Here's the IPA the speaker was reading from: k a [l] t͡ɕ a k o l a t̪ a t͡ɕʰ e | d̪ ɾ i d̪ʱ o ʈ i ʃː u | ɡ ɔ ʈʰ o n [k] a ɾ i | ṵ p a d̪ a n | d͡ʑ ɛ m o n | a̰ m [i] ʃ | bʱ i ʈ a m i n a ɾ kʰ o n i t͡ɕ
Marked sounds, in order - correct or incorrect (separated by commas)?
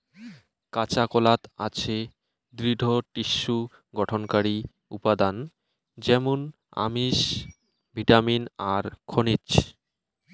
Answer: incorrect, correct, correct